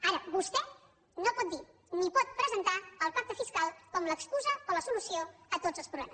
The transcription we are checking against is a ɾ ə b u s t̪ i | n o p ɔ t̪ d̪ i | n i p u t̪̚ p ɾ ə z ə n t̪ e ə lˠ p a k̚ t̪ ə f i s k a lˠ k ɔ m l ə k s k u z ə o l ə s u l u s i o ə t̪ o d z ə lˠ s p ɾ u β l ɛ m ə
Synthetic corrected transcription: a ɾ ə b u s t̪ ɛ | n o p ɔ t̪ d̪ i | n i p ɔ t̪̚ p ɾ ə z ə n t̪ a ə lˠ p a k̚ t̪ ə f i s k a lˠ k ɔ m l ə k s k u z ə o l ə s u l u s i o ə t̪ o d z ə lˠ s p ɾ u β l ɛ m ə